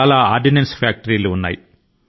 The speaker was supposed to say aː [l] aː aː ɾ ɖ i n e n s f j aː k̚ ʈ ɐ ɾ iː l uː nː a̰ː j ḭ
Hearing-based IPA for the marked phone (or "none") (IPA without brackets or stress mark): l